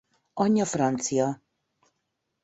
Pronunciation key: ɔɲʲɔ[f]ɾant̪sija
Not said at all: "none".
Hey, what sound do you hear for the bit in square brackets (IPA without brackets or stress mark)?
f